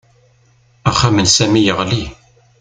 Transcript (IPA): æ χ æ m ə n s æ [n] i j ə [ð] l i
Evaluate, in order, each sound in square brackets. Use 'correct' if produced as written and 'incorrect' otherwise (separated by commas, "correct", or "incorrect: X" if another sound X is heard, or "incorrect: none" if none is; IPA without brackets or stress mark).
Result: incorrect: m, incorrect: ʁ